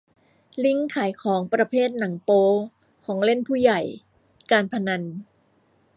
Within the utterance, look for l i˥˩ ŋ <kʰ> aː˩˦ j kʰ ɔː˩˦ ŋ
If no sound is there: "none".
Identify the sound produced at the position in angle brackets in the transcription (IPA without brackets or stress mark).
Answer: kʰ